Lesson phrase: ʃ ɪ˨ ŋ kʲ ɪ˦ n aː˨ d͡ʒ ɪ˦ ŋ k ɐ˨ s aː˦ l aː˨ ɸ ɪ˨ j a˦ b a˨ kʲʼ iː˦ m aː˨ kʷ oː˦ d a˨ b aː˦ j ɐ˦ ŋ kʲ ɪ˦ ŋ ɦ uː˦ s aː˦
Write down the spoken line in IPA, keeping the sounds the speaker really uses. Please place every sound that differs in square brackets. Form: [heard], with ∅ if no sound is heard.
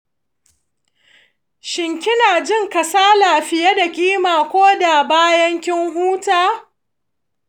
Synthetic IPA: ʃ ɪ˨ ŋ kʲ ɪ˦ n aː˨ d͡ʒ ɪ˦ ŋ k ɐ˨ s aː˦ l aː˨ ɸ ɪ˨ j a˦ [d] a˨ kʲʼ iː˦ m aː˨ kʷ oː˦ d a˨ b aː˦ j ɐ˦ ŋ kʲ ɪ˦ ŋ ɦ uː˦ [t] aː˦